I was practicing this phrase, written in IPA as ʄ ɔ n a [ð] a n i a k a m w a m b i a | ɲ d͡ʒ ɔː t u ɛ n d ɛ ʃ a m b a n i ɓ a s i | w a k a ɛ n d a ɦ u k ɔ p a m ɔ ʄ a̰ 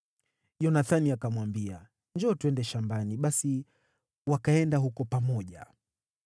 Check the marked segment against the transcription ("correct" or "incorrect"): incorrect